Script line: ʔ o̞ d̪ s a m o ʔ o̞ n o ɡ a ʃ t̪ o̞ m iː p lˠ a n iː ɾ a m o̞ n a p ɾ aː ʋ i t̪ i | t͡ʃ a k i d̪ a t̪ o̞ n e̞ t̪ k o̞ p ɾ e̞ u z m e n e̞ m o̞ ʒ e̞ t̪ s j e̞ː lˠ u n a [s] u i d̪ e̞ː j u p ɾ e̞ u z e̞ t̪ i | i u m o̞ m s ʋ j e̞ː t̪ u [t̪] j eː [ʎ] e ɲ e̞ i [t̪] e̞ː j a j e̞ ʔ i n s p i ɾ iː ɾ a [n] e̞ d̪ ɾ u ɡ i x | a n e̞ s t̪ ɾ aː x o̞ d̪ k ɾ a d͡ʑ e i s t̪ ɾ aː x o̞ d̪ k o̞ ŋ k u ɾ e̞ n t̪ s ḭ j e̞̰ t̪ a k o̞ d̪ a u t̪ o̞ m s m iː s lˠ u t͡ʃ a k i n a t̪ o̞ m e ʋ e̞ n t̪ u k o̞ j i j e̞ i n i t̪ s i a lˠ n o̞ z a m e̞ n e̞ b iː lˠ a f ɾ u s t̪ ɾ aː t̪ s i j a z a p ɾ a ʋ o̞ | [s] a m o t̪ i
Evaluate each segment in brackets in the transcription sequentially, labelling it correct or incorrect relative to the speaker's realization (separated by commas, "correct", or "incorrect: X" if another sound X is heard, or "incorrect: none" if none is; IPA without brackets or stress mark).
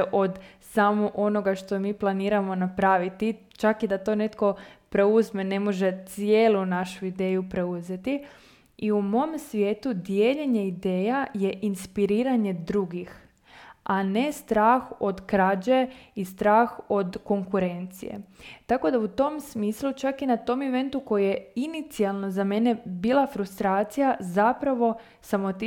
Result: incorrect: ʃ, incorrect: d̪, correct, incorrect: d̪, incorrect: ɲ, correct